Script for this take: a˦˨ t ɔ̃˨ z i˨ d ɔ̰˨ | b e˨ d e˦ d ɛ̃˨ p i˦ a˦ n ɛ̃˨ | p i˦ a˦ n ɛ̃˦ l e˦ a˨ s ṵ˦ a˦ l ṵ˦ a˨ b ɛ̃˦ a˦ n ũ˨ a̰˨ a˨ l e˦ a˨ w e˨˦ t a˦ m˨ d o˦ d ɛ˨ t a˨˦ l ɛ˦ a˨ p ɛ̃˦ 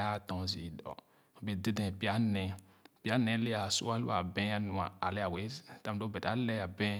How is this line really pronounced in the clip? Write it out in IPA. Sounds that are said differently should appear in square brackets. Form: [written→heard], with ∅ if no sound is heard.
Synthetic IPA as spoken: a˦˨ t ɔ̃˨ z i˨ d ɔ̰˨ | b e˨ d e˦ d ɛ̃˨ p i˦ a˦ n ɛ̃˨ | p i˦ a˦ n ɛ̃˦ l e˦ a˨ s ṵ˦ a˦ l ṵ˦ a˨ b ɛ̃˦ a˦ n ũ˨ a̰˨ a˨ l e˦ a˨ w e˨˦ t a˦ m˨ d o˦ [d→b] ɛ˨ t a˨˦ l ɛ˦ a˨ [p→b] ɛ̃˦